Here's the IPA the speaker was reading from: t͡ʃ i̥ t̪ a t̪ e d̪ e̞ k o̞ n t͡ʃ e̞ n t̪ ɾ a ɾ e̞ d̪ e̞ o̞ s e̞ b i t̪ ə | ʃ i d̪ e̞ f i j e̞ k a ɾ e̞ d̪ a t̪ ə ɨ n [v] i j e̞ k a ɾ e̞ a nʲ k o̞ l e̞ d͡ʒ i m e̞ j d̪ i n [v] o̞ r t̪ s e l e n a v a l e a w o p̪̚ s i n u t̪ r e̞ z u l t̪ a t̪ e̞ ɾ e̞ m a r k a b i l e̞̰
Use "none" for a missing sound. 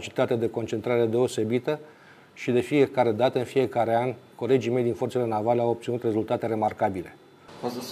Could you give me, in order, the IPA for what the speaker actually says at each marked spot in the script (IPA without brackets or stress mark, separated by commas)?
f, f